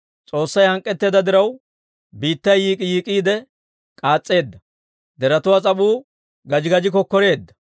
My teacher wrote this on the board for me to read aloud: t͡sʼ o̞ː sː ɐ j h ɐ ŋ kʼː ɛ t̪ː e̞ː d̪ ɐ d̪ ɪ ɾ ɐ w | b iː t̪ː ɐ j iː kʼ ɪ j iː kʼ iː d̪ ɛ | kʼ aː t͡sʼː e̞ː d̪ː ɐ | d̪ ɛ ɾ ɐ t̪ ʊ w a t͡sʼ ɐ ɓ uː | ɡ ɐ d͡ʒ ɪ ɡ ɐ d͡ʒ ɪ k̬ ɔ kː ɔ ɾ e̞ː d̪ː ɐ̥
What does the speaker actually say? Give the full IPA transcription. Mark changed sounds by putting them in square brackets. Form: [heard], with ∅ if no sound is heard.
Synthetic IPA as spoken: t͡sʼ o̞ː sː ɐ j h ɐ ŋ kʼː ɛ t̪ː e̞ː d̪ ɐ d̪ ɪ ɾ ɐ w | b iː t̪ː ɐ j iː kʼ ɪ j iː kʼ iː d̪ ɛ | kʼ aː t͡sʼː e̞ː d̪ː ɐ | d̪ ɛ ɾ ɐ t̪ ʊ w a t͡sʼ ɐ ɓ uː | ɡ ɐ d͡ʒ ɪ ɡ ɐ d͡ʒ ɪ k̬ ɔ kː ɔ ɾ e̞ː d̪ː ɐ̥